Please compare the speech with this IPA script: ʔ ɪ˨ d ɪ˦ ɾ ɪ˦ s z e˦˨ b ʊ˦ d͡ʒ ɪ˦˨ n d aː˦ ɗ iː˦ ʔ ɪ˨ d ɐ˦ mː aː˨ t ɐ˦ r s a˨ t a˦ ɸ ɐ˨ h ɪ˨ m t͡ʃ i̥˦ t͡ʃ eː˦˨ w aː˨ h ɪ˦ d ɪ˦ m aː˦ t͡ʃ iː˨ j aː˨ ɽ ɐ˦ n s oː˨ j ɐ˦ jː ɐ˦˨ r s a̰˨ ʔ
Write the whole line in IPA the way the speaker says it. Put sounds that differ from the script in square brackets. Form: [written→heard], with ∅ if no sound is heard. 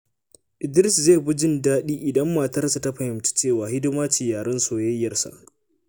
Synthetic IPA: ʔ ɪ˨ d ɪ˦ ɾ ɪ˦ s z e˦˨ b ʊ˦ d͡ʒ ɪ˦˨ n d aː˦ ɗ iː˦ ʔ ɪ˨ d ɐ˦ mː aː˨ t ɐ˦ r s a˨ t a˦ ɸ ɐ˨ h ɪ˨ m t͡ʃ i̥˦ t͡ʃ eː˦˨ w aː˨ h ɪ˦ d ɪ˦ m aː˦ t͡ʃ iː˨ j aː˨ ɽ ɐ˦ n s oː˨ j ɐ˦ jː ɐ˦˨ r s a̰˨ ʔ